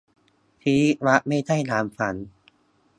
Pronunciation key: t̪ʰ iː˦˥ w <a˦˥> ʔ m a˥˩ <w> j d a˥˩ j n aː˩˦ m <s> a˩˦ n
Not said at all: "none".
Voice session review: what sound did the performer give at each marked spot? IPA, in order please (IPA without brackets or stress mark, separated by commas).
a˦˥, none, f